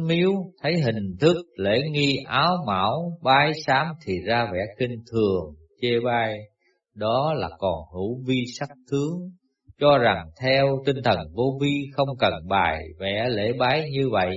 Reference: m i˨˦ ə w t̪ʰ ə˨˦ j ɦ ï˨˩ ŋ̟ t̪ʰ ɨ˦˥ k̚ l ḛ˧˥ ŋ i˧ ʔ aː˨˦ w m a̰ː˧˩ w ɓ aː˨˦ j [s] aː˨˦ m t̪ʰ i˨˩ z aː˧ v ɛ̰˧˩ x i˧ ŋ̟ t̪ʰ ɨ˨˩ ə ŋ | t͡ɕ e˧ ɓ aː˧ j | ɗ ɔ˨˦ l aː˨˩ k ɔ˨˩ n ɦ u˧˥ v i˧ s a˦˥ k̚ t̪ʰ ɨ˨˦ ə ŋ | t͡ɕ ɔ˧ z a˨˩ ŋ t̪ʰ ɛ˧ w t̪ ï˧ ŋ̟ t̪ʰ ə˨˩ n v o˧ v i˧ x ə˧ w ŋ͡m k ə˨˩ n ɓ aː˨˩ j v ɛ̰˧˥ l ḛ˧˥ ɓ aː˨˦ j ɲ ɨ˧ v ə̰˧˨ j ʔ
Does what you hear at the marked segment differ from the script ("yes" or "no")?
no